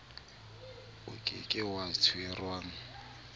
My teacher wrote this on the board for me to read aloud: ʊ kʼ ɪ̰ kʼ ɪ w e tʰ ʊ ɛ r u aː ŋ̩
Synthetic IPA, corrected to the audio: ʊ kʼ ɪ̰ kʼ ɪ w a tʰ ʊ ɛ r w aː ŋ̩